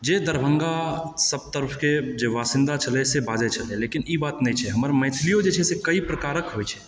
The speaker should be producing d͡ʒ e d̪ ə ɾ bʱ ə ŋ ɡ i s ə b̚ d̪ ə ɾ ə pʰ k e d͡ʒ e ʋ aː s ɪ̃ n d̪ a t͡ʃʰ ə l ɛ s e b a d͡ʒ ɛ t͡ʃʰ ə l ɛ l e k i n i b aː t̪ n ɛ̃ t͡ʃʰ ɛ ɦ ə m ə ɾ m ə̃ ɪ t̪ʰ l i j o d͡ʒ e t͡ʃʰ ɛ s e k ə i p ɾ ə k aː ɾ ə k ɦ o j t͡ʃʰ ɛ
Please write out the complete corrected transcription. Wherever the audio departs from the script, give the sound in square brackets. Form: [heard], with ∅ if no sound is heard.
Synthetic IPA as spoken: d͡ʒ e d̪ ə ɾ bʱ ə ŋ ɡ [a] s ə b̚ [t̪] ə ɾ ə pʰ k e d͡ʒ e ʋ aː s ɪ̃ n d̪ a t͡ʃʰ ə l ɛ s e b a d͡ʒ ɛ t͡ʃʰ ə l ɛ l e k i n i b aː t̪ n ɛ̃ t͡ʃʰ ɛ ɦ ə m ə ɾ m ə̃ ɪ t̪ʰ l i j o d͡ʒ e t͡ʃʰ ɛ s e k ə i p ɾ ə k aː ɾ ə k ɦ o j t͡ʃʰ ɛ